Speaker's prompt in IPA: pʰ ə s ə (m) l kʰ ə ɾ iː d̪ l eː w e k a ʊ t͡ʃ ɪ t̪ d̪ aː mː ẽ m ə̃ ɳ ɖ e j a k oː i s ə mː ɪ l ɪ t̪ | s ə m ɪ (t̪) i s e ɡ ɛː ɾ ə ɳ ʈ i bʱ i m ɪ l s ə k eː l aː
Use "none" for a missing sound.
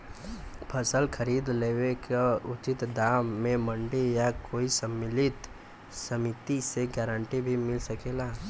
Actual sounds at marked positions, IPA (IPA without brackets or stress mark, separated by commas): none, t̪